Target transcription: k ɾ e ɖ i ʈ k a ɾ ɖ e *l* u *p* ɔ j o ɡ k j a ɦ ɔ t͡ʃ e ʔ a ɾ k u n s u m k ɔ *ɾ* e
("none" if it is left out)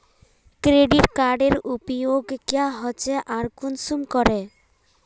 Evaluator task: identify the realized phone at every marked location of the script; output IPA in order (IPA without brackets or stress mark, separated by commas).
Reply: ɾ, p, ɾ